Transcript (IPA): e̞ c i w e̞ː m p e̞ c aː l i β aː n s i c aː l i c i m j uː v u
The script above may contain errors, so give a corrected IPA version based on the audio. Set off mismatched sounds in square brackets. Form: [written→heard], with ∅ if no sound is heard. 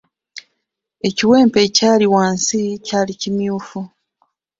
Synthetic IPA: e̞ c i w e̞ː m p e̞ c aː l i [β→w] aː n s i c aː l i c i m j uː [v→f] u